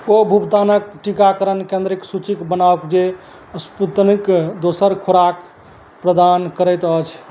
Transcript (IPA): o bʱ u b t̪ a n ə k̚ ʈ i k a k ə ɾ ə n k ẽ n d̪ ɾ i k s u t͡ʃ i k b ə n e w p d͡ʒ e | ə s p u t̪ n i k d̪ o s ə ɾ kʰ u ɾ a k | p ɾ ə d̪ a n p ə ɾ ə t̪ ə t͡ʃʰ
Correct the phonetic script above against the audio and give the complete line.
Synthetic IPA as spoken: o bʱ u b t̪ a n ə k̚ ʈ i k a k ə ɾ ə n k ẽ n d̪ ɾ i k s u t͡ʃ i k b ə n a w k d͡ʒ e | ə s p u t̪ n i k d̪ o s ə ɾ kʰ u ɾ a k | p ɾ ə d̪ a n k ə ɾ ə t̪ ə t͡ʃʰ